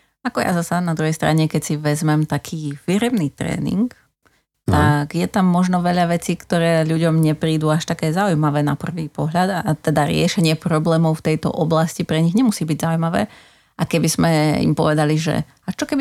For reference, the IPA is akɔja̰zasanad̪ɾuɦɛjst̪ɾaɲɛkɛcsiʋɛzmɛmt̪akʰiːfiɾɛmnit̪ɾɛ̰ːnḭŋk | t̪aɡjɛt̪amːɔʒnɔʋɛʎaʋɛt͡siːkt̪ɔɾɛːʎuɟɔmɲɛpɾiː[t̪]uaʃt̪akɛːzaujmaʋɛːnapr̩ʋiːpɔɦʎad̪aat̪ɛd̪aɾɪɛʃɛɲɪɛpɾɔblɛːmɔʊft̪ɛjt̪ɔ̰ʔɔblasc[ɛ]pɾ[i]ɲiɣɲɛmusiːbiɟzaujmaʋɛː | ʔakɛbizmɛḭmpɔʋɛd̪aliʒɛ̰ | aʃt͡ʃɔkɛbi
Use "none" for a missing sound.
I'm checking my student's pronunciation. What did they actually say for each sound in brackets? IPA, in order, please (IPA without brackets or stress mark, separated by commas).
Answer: d̪, i, ɛ